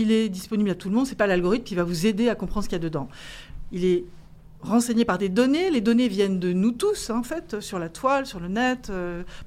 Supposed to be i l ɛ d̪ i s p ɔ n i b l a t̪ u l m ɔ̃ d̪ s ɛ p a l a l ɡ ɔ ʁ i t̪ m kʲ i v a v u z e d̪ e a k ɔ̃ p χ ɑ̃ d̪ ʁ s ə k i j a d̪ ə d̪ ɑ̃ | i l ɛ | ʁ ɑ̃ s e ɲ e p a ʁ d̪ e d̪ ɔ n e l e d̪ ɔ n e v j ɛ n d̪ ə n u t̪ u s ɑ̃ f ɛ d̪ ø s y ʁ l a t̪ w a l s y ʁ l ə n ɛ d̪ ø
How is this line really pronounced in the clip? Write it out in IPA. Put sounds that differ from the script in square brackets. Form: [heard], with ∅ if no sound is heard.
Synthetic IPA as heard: i l ɛ d̪ i s p ɔ n i b l a t̪ u l m ɔ̃ d̪ s ɛ p a l a l ɡ ɔ ʁ i t̪ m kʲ i v a v u z e d̪ e a k ɔ̃ p χ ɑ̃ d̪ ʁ s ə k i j a d̪ ə d̪ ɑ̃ | i l ɛ | ʁ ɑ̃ s e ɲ e p a ʁ d̪ e d̪ ɔ n e l e d̪ ɔ n e v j ɛ n d̪ ə n u t̪ u s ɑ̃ f ɛ [t̪] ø s y ʁ l a t̪ w a l s y ʁ l ə n ɛ [t̪] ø